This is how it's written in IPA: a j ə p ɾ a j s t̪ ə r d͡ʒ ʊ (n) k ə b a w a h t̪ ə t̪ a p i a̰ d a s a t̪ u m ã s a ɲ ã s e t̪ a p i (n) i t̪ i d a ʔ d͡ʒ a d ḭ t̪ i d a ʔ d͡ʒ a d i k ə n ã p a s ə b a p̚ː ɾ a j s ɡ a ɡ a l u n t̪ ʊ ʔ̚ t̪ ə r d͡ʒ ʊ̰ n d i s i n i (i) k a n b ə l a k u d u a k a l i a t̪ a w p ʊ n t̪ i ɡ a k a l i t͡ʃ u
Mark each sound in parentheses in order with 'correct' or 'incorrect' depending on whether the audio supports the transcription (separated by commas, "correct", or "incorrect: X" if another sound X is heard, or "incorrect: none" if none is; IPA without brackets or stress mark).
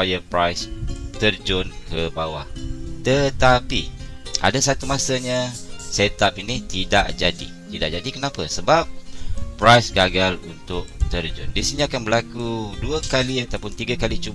correct, correct, incorrect: a